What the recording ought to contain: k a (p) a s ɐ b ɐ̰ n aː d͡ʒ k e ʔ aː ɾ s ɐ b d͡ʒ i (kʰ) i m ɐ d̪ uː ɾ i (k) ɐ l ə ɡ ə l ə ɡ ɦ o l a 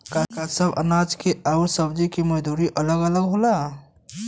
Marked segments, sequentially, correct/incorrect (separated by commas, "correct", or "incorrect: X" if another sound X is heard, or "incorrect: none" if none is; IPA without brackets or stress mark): incorrect: k, incorrect: k, incorrect: ʔ